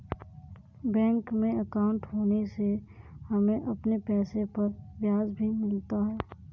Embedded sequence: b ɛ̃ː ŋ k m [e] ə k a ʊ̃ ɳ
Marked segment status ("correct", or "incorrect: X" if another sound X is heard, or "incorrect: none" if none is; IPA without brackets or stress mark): incorrect: ẽ